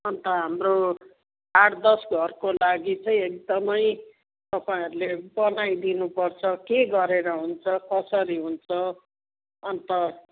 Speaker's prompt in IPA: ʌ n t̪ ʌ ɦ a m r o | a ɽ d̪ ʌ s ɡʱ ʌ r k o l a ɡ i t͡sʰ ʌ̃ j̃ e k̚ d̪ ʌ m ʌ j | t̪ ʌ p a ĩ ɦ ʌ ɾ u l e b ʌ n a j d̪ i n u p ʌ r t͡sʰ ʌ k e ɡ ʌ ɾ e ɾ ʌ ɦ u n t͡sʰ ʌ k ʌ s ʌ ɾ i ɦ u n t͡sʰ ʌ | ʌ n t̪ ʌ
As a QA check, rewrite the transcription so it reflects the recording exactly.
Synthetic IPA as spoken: ʌ n t̪ ʌ ɦ a m r o | a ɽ d̪ ʌ s ɡʱ ʌ r k o l a ɡ i t͡s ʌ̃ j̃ e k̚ d̪ ʌ m ʌ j | t̪ ʌ p a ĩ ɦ ʌ ɾ u l e b ʌ n a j d̪ i n u p ʌ r t͡sʰ ʌ k e ɡ ʌ ɾ e ɾ ʌ ɦ u n t͡sʰ ʌ k ʌ s ʌ ɾ i ɦ u n t͡sʰ ʌ | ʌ n t̪ ʌ